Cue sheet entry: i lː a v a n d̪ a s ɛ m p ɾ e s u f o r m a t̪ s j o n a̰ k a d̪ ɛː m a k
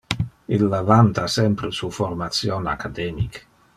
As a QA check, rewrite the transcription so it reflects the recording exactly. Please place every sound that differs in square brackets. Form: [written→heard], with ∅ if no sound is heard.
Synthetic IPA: i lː a v a n [d̪→t̪] a s ɛ m p ɾ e s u f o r m a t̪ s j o n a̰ k a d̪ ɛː m [a→i] k